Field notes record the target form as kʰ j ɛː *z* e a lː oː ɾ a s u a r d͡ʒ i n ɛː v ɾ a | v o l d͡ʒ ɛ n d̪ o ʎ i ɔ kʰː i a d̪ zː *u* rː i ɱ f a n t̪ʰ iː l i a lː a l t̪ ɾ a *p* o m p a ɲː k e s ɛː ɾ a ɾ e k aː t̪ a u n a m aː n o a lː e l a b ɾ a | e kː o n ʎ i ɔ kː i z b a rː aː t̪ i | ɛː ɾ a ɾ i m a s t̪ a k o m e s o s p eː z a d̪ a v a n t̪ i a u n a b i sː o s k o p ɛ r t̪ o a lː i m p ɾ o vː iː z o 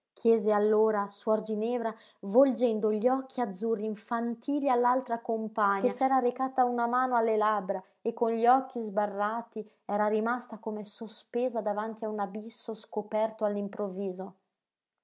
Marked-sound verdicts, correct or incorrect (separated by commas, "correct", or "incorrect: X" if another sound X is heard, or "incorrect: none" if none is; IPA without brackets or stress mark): correct, correct, incorrect: k